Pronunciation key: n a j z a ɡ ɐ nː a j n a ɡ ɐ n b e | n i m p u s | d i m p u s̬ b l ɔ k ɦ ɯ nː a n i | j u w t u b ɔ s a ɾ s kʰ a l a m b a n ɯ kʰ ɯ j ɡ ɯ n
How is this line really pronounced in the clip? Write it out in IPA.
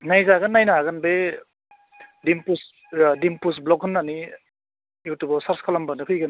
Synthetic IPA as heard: n a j z a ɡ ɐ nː a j n a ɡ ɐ n b e | d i m p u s | d i m p u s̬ b l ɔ k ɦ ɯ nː a n i | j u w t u b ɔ s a ɾ s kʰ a l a m b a n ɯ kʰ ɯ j ɡ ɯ n